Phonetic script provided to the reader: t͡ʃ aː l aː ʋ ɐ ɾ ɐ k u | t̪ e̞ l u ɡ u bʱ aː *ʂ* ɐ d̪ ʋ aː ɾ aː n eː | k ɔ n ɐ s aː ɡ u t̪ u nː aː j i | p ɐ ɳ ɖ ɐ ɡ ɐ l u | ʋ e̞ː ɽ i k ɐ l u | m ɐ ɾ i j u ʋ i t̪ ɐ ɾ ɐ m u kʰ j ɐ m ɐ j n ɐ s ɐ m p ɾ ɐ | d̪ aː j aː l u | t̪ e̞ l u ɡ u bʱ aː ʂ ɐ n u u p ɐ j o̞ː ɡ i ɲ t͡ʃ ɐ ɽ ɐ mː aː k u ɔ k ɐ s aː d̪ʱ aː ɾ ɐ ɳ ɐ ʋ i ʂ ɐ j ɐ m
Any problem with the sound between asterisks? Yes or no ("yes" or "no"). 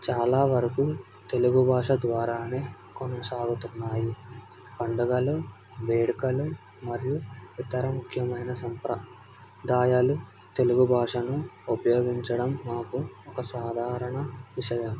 no